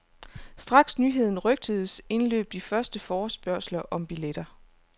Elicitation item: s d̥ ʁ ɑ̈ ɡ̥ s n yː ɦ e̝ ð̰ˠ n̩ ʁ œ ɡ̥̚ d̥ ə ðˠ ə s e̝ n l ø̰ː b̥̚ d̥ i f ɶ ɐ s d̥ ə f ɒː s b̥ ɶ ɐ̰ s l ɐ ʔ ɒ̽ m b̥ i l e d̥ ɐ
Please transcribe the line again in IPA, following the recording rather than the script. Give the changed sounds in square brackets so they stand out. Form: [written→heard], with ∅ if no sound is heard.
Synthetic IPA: s d̥ ʁ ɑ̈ ɡ̥ s n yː ɦ e̝ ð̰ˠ n̩ ʁ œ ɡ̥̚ d̥ ə ðˠ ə s e̝ n l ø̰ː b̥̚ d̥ i f ɶ ɐ s d̥ ə f ɒː s b̥ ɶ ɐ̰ s l ɐ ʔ ɒ̽ m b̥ i l e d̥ ɐ